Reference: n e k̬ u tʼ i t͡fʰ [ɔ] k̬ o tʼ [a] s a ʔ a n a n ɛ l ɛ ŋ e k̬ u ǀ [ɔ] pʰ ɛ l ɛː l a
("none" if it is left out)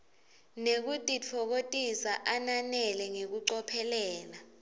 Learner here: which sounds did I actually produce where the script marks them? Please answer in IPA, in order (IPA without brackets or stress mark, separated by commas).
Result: ɔ, i, ɔ